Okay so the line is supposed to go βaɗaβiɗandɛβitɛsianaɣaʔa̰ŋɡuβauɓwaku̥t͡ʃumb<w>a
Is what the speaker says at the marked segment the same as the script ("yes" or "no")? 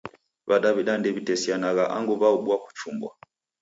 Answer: yes